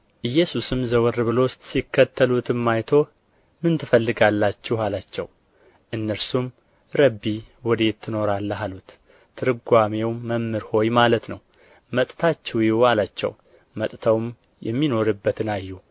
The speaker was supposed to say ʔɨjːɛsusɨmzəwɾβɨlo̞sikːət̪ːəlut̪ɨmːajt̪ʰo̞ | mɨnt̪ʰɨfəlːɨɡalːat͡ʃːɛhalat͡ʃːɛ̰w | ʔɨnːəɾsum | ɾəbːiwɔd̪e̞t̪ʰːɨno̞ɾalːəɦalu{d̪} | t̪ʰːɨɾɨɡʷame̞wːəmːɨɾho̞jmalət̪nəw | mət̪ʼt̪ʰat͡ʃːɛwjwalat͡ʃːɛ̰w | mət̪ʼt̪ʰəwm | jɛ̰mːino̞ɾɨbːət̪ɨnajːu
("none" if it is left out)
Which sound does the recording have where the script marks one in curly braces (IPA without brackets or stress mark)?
t̪